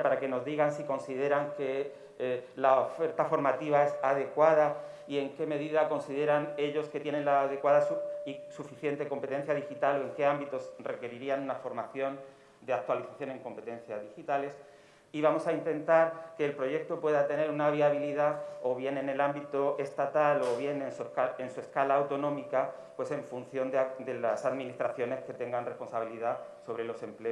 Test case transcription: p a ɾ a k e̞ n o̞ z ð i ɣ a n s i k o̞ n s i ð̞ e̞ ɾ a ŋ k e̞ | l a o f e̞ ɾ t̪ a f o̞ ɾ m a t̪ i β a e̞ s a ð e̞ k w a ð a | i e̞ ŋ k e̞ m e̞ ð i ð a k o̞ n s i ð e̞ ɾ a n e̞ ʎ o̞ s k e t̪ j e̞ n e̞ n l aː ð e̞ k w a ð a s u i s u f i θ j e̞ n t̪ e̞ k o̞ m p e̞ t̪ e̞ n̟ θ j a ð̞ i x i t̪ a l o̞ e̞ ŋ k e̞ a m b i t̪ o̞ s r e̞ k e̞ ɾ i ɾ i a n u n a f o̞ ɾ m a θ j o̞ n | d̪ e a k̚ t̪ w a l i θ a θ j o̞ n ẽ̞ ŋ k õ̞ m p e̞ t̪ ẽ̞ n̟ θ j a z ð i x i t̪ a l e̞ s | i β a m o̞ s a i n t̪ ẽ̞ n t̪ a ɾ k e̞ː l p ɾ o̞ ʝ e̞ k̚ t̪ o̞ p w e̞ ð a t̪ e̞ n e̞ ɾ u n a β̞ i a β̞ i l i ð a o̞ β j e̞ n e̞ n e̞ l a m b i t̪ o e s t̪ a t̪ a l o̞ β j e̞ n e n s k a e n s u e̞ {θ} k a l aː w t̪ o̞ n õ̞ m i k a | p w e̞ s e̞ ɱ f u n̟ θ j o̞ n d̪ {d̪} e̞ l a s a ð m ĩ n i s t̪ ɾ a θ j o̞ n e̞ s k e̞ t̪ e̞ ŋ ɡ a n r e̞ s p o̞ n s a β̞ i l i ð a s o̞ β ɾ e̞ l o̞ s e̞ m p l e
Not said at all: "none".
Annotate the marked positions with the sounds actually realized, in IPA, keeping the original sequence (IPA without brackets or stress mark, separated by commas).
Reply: s, d̪